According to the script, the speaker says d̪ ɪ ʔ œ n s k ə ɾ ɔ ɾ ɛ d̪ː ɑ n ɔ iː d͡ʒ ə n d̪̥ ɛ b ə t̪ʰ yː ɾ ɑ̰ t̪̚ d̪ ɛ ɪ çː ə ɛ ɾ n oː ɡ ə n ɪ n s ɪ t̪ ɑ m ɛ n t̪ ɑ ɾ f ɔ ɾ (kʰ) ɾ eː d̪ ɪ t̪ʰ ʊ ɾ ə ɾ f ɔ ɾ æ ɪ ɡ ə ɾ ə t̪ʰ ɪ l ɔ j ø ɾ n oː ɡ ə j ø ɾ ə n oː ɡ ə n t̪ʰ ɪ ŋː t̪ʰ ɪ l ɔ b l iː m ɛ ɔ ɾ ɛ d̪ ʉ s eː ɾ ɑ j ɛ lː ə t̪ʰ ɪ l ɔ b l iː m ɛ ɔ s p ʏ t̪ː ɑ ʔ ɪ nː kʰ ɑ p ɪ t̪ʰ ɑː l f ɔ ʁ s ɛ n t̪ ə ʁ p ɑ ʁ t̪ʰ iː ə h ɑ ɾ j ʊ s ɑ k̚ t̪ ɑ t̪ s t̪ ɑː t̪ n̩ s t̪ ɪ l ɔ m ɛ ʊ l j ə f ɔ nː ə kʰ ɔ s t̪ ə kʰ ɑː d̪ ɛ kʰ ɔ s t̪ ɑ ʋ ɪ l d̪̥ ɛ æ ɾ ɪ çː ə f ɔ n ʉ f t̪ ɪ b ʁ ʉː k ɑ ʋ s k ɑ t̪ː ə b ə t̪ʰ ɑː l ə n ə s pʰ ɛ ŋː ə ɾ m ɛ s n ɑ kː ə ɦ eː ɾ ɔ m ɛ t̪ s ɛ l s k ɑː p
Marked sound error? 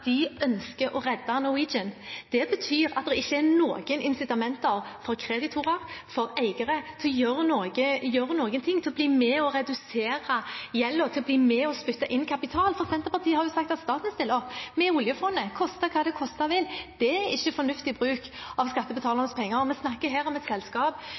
no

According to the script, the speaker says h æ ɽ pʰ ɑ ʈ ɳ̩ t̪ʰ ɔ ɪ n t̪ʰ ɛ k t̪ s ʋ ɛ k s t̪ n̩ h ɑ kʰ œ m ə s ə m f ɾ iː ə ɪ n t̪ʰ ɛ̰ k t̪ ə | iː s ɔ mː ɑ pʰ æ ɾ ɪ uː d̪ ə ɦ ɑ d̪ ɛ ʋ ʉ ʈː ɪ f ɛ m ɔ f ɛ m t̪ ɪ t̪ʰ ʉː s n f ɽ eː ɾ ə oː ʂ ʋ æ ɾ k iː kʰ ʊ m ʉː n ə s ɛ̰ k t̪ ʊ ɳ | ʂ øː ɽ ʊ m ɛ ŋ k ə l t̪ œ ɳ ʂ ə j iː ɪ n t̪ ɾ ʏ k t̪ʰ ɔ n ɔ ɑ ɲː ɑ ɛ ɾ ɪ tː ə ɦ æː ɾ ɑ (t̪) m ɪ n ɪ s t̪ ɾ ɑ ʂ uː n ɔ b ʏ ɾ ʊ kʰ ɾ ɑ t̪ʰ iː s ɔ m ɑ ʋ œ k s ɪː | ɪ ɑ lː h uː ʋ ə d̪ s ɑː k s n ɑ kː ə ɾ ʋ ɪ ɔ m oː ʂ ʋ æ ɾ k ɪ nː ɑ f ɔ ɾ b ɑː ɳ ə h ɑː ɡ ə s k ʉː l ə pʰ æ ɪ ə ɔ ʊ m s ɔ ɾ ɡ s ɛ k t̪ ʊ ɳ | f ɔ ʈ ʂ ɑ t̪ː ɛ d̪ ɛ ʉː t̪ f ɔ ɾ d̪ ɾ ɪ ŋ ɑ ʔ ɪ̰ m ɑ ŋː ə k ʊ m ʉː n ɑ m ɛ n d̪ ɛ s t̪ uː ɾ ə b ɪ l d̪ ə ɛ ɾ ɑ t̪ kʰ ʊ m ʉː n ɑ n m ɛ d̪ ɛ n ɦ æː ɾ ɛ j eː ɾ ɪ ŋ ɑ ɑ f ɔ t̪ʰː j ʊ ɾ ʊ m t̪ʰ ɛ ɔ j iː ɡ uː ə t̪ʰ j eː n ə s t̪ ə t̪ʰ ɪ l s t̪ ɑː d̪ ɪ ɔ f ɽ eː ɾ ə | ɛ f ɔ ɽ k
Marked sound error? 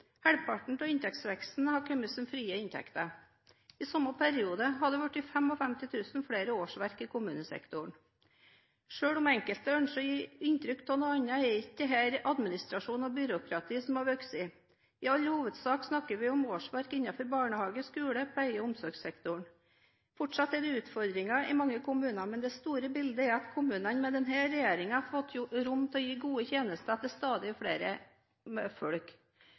yes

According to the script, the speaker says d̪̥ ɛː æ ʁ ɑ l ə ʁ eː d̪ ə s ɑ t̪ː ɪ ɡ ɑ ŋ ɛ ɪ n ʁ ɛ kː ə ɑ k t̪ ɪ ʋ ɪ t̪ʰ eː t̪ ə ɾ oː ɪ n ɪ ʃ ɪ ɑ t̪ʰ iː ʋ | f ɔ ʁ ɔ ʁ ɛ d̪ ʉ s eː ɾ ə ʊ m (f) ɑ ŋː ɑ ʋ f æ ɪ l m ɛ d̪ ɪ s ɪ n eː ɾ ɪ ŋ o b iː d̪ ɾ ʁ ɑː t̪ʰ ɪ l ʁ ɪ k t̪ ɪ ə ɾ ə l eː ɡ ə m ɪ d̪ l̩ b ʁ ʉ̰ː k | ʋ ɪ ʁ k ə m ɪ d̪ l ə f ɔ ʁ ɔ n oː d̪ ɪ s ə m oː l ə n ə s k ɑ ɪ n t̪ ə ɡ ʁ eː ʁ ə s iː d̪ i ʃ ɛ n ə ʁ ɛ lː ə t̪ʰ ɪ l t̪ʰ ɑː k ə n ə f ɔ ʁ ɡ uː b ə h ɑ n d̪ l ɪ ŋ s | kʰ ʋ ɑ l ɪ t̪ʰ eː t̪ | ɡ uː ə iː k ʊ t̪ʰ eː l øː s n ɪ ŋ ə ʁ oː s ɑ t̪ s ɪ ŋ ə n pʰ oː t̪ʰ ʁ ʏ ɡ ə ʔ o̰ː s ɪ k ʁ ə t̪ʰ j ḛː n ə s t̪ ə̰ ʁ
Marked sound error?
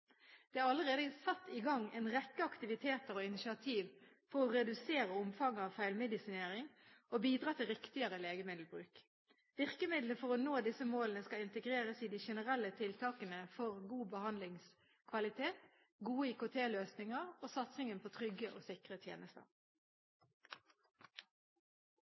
no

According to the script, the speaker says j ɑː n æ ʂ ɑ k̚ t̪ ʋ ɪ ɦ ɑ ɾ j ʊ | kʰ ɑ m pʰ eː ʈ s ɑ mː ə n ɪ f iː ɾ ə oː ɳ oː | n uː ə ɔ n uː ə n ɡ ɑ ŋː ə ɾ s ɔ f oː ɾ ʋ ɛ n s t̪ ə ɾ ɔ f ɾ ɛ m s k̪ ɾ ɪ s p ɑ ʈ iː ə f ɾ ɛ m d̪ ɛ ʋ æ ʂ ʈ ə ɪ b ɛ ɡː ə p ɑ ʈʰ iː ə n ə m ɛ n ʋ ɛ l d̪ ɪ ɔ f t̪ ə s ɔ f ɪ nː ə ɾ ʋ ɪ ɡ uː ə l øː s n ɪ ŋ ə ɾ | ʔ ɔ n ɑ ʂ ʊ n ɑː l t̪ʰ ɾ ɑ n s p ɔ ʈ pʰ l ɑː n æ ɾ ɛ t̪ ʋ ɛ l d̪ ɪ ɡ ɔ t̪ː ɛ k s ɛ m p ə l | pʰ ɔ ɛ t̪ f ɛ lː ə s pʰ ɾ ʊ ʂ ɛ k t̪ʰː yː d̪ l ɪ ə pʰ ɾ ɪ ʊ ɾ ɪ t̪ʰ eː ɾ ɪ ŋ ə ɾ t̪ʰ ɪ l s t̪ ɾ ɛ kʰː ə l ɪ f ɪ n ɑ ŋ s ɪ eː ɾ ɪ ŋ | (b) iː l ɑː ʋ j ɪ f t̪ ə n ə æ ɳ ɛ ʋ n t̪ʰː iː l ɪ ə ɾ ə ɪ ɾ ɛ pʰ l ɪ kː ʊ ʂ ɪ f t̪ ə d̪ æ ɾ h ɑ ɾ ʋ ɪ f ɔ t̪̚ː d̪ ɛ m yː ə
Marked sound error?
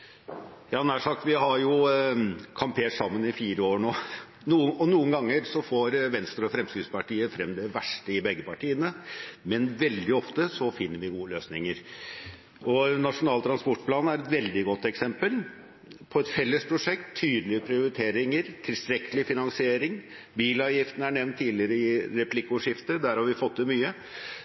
no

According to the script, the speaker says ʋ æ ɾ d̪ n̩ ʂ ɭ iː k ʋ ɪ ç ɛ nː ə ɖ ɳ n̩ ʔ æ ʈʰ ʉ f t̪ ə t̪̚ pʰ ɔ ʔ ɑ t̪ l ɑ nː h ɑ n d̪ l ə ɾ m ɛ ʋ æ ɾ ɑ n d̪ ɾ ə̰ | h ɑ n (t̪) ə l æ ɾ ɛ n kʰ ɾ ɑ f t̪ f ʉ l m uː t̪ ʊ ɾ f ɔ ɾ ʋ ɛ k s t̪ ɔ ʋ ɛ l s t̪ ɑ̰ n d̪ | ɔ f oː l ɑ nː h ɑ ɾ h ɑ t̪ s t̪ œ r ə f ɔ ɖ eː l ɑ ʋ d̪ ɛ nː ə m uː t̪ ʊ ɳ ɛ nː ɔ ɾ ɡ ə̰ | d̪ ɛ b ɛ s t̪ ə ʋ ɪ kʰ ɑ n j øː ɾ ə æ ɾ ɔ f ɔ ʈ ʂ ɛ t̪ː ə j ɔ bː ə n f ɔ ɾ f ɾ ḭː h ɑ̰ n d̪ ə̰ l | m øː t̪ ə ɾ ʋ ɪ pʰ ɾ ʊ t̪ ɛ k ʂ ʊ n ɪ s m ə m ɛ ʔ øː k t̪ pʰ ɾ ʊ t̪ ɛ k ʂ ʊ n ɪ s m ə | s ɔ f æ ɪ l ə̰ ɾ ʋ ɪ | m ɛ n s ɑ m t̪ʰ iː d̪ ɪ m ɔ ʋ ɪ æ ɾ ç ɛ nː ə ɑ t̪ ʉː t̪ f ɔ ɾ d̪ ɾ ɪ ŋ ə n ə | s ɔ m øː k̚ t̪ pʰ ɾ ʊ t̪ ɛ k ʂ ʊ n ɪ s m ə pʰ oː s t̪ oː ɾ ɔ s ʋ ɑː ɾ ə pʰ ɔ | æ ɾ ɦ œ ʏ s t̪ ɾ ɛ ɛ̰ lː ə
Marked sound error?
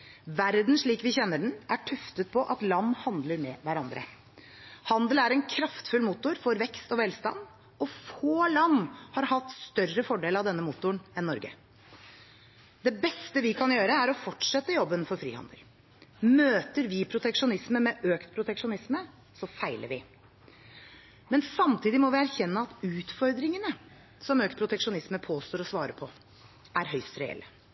yes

